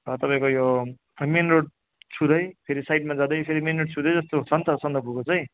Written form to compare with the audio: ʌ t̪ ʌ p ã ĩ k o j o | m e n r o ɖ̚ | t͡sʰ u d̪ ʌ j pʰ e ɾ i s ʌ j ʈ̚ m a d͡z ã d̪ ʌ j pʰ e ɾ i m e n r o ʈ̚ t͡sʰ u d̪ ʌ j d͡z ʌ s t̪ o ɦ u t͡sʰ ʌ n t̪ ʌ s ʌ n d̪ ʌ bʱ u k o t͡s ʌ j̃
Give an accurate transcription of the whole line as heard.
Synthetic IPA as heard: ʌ t̪ ʌ p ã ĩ k o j o | m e n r o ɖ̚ | t͡sʰ u d̪ ʌ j pʰ e ɾ i s a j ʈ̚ m a d͡z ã d̪ ʌ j pʰ e ɾ i m e n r o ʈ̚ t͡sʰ u d̪ ʌ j d͡z ʌ s t̪ o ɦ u t͡sʰ ʌ n t̪ ʌ s ʌ n d̪ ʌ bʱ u k o t͡s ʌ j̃